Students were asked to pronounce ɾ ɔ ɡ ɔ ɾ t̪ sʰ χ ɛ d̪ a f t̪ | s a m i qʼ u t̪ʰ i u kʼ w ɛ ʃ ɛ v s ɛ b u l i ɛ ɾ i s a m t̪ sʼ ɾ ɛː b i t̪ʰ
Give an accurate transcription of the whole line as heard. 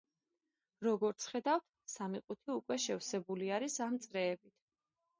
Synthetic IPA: ɾ ɔ ɡ ɔ ɾ t̪ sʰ χ ɛ d̪ a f t̪ | s a m i qʼ u t̪ʰ i u kʼ w ɛ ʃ ɛ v s ɛ b u l i a ɾ i s a m t̪ sʼ ɾ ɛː b i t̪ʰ